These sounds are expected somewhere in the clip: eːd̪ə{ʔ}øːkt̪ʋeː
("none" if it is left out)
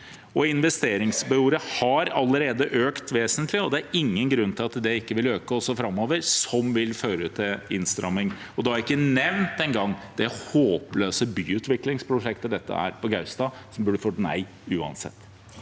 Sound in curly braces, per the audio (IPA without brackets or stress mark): ʔ